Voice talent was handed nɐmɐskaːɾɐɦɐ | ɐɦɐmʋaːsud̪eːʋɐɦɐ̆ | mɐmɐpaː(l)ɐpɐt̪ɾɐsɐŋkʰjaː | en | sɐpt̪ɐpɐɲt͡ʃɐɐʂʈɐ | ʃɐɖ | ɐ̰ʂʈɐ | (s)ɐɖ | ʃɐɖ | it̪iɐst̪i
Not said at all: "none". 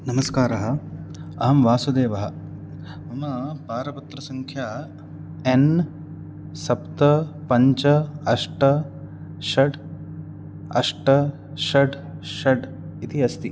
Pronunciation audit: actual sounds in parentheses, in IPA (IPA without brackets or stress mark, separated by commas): ɾ, ʃ